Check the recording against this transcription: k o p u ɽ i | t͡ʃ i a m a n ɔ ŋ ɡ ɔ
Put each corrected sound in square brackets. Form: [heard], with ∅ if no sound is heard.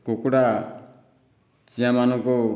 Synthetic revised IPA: k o [k] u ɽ [a] | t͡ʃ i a m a n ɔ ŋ [k] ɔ

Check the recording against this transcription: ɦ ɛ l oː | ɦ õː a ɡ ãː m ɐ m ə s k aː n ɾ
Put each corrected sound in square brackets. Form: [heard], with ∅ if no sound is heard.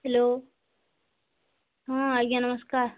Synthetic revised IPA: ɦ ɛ l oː | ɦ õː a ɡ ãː [n] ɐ m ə s k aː [∅] ɾ

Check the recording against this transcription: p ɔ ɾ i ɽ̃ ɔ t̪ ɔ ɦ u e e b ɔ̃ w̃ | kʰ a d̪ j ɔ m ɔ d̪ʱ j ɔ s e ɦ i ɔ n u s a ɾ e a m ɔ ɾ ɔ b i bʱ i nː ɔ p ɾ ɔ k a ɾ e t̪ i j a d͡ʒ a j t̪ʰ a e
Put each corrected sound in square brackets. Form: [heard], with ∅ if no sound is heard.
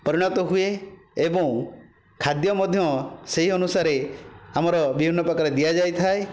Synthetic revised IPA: p ɔ ɾ i ɽ̃ ɔ t̪ ɔ ɦ u e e b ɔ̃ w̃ | kʰ a d̪ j ɔ m ɔ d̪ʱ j ɔ s e ɦ i ɔ n u s a ɾ e a m ɔ ɾ ɔ b i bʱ i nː ɔ p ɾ ɔ k a ɾ e [d̪] i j a d͡ʒ a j t̪ʰ a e

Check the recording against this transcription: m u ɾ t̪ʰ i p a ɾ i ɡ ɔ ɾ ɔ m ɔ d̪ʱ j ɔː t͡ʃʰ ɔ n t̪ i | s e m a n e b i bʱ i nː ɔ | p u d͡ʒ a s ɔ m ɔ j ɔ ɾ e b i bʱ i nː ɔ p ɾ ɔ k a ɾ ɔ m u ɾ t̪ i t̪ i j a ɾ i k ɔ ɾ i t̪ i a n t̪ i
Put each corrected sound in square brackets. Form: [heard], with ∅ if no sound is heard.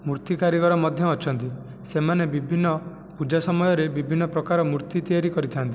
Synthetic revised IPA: m u ɾ [t̪] i [k] a ɾ i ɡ ɔ ɾ ɔ m ɔ d̪ʱ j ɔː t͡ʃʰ ɔ n t̪ i | s e m a n e b i bʱ i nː ɔ | p u d͡ʒ a s ɔ m ɔ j ɔ ɾ e b i bʱ i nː ɔ p ɾ ɔ k a ɾ ɔ m u ɾ t̪ i t̪ i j a ɾ i k ɔ ɾ i [t̪ʰ] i a n t̪ i

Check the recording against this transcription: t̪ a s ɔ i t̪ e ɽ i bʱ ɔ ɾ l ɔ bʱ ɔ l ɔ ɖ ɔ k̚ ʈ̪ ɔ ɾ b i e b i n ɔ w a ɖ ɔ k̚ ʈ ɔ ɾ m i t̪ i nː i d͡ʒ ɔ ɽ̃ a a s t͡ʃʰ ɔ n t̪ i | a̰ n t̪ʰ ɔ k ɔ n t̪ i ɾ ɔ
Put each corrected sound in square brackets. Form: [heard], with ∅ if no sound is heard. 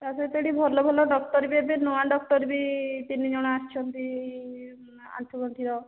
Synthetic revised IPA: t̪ a s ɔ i t̪ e ɽ i bʱ ɔ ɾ l ɔ bʱ ɔ l ɔ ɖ ɔ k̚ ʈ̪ ɔ ɾ b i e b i n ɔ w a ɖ ɔ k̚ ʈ ɔ ɾ [b] i t̪ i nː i d͡ʒ ɔ ɽ̃ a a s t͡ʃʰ ɔ n t̪ i | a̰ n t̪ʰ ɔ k ɔ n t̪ i ɾ ɔ

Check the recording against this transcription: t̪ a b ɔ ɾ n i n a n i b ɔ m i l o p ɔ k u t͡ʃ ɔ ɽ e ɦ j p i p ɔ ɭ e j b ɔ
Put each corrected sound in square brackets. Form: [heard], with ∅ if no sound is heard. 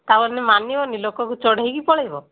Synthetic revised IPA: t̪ a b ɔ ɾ n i [m] a n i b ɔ [n] i l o [k] ɔ k u t͡ʃ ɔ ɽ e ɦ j [k] i p ɔ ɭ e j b ɔ

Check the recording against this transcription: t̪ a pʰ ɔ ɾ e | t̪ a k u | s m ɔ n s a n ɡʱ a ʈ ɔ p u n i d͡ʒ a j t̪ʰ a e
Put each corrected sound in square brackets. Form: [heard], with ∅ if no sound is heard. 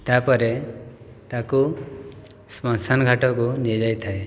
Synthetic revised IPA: t̪ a [p] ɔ ɾ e | t̪ a k u | s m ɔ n s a n ɡʱ a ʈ ɔ [k] u n i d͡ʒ a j t̪ʰ a e

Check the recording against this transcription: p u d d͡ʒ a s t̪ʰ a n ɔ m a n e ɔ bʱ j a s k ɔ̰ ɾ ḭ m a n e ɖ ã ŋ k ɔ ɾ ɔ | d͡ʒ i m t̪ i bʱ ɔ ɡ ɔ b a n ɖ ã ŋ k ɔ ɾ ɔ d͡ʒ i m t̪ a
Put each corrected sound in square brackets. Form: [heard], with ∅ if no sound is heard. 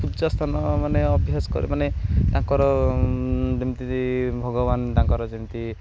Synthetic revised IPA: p u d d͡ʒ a s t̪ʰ a n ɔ m a n e ɔ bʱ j a s k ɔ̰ ɾ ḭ m a n e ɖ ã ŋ k ɔ ɾ ɔ | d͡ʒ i m t̪ i bʱ ɔ ɡ ɔ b a n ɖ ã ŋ k ɔ ɾ ɔ d͡ʒ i m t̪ [i]

